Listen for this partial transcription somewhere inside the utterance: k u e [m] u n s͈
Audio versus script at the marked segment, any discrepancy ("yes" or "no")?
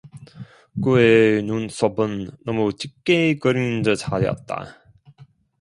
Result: yes